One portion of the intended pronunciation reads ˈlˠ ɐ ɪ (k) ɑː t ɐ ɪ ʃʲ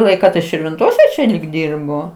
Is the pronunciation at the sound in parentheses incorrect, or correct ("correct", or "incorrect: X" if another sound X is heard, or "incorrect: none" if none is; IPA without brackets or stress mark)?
correct